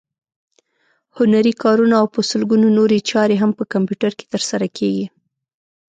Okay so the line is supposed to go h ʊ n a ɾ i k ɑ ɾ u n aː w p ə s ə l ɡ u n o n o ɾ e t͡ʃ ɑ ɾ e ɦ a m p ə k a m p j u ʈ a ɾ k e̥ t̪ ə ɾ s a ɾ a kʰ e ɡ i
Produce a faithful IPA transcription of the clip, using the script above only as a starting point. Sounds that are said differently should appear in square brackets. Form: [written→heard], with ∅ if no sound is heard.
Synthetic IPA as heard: h ʊ n a ɾ i k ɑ ɾ u n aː w p ə s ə l ɡ u n o n o ɾ e t͡ʃ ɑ ɾ e ɦ a m p ə k a m p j u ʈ a ɾ k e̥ t̪ ə ɾ s a ɾ a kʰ e ɡ i